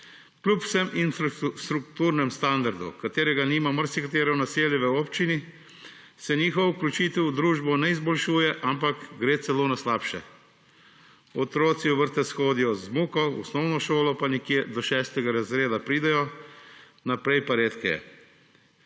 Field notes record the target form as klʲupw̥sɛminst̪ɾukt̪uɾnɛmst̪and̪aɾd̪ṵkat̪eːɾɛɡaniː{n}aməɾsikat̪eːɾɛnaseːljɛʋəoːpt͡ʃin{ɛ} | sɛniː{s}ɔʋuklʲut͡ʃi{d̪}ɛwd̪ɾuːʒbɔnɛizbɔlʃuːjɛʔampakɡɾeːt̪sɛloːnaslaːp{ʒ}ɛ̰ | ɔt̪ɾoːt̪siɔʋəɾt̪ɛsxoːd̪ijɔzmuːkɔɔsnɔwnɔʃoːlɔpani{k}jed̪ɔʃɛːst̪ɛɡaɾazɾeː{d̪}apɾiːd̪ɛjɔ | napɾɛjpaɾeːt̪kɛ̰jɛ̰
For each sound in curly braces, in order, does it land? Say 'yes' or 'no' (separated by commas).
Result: no, no, no, no, no, yes, yes